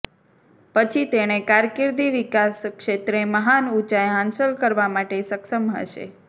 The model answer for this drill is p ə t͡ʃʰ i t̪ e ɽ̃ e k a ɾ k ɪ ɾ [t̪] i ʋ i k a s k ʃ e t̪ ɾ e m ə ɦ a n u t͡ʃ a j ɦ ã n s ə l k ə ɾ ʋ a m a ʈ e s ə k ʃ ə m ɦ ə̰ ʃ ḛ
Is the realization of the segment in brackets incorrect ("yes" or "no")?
yes